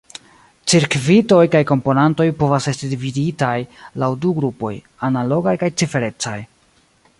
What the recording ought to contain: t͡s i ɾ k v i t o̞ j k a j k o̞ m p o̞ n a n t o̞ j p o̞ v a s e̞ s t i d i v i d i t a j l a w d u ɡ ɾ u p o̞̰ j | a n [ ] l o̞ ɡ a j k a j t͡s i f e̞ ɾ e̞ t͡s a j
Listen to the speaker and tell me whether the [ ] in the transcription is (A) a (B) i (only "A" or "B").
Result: A